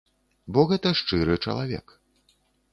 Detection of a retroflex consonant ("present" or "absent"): present